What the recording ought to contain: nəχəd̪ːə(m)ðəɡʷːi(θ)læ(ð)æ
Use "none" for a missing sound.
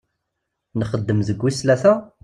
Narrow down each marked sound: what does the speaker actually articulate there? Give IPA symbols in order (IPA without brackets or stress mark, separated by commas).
m, s, θ